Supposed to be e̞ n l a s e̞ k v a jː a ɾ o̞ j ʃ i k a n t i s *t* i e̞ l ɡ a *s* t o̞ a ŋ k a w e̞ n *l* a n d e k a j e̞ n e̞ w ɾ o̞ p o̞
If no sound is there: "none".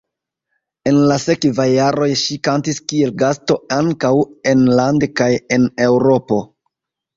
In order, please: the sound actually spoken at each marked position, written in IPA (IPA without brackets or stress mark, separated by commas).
k, s, l